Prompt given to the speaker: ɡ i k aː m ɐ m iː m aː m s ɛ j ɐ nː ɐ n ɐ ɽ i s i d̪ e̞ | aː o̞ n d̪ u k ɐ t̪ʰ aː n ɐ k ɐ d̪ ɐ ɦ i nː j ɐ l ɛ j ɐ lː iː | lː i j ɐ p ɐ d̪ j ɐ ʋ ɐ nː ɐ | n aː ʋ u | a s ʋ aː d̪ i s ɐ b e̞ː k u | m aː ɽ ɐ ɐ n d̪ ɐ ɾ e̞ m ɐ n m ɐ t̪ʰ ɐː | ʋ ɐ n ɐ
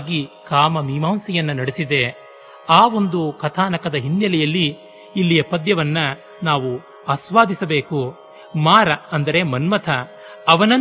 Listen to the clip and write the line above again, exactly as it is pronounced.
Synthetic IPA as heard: ɡ i k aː m ɐ m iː m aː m s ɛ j ɐ nː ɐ n ɐ ɽ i s i d̪ e̞ | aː o̞ n d̪ u k ɐ t̪ʰ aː n ɐ k ɐ d̪ ɐ ɦ i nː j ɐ l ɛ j ɐ lː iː | lː i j ɐ p ɐ d̪ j ɐ ʋ ɐ nː ɐ | n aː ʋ u | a s ʋ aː d̪ i s ɐ b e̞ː k u | m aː ɾ ɐ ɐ n d̪ ɐ ɾ e̞ m ɐ n m ɐ t̪ʰ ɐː | ʋ ɐ n ɐ